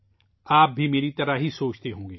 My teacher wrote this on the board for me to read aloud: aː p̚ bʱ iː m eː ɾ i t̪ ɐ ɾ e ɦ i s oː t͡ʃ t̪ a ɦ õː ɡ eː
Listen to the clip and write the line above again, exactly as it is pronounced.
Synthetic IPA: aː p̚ bʱ i m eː ɾ i t̪ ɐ ɾ a ɦ i s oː t͡ʃ t̪ e ɦ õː ɡ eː